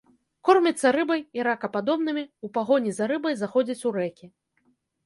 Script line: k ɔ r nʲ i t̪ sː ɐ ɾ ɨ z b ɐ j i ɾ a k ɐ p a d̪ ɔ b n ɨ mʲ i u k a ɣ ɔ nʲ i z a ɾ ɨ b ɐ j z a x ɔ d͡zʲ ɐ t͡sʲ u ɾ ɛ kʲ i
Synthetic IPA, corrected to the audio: k ɔ r mʲ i t̪ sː ɐ ɾ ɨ b ɐ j i ɾ a k ɐ p a d̪ ɔ b n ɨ mʲ i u p a ɣ ɔ nʲ i z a ɾ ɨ b ɐ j z a x ɔ d͡zʲ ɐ t͡sʲ u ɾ ɛ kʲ i